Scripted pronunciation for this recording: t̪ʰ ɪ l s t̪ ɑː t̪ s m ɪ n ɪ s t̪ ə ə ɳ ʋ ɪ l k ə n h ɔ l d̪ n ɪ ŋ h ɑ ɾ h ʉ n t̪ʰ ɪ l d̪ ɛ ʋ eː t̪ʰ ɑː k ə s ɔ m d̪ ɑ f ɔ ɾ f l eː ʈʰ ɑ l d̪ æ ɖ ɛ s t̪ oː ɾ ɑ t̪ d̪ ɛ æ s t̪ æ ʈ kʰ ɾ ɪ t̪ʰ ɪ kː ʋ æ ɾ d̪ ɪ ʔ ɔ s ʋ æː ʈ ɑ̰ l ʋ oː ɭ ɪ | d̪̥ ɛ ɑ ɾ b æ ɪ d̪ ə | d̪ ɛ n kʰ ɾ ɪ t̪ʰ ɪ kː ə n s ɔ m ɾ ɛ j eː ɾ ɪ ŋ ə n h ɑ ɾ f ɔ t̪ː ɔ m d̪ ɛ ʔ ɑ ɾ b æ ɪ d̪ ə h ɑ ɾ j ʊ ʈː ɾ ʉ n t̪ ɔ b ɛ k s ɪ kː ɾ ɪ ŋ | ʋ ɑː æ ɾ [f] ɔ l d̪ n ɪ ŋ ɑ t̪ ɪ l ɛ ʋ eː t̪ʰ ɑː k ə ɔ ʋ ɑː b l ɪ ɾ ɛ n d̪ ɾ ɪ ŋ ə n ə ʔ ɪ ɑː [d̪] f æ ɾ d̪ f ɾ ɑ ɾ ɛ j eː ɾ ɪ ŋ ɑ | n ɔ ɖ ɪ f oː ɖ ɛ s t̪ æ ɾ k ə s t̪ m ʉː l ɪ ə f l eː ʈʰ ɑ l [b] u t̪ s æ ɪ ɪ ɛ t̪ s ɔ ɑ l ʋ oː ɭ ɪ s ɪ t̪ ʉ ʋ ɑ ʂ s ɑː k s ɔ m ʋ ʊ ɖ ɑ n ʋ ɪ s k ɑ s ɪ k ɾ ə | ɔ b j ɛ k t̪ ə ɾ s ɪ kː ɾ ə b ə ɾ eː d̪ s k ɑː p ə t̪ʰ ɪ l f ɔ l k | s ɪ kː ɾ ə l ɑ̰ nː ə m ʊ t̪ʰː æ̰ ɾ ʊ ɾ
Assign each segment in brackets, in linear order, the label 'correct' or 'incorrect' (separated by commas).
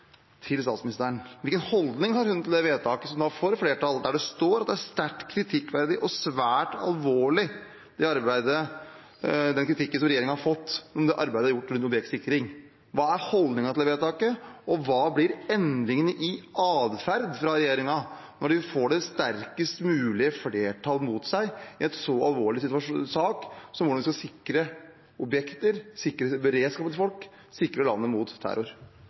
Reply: incorrect, correct, incorrect